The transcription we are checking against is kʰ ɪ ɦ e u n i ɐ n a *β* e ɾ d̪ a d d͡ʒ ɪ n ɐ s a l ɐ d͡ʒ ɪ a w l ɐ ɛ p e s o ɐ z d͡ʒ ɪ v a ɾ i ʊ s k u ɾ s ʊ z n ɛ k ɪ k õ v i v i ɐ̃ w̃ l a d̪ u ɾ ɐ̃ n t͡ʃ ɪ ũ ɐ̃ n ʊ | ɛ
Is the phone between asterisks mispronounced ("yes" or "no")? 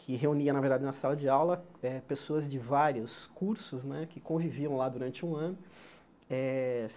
yes